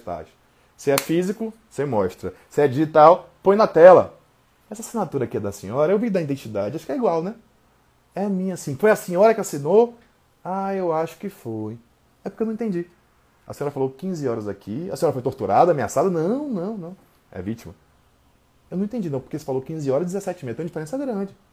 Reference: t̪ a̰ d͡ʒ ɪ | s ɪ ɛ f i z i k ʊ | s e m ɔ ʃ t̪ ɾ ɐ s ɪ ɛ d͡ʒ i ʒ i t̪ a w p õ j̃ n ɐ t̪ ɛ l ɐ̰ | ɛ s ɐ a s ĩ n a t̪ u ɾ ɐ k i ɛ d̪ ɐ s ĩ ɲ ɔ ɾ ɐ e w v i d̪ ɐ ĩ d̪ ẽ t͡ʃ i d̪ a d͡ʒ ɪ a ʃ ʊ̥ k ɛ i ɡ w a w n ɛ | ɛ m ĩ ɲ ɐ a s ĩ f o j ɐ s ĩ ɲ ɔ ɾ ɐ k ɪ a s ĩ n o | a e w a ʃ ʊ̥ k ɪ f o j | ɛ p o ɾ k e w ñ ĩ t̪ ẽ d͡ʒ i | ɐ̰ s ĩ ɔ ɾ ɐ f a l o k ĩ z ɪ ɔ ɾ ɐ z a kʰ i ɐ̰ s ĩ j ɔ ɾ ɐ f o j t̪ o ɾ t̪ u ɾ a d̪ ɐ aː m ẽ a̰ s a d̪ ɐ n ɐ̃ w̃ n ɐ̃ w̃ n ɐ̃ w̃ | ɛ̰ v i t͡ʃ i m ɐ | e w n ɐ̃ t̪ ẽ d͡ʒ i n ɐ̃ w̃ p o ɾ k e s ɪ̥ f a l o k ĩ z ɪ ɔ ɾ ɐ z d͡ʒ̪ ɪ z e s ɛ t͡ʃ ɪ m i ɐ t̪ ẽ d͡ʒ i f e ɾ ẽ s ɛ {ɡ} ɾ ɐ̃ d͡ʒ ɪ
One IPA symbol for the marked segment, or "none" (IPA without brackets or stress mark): ɡ